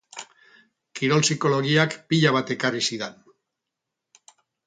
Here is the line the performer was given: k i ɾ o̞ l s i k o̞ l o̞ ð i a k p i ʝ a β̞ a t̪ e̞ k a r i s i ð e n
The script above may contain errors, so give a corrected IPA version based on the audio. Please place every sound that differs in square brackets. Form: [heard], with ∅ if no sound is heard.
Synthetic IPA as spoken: k i ɾ o̞ l s i k o̞ l o̞ [ɣ] i a k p i [ʎ] a β̞ a t̪ e̞ k a r i s i ð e n